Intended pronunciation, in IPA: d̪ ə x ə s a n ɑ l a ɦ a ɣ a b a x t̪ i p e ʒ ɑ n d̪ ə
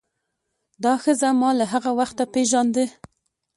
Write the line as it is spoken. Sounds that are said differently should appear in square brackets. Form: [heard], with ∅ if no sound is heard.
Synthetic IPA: d̪ [ɑ] x ə [z] a [m] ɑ l a ɦ a ɣ a [w] a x t̪ [a] p e ʒ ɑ n d̪ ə